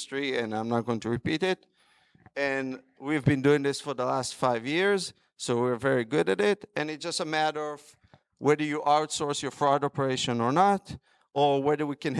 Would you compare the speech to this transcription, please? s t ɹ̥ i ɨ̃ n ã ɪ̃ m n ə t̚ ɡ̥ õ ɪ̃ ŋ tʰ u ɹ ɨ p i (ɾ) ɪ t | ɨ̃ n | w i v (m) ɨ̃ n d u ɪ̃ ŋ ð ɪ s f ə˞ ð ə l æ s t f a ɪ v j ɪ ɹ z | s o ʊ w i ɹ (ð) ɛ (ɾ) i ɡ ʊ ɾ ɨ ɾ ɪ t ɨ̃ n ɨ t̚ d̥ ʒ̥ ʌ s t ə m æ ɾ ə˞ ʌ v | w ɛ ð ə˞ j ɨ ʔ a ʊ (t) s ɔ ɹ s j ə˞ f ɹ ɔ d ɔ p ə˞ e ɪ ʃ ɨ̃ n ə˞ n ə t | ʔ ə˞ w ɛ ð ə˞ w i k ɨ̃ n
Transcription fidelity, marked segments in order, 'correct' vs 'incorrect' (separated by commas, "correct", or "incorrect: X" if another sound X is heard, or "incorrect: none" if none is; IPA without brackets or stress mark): correct, incorrect: b, incorrect: v, incorrect: ɹ, correct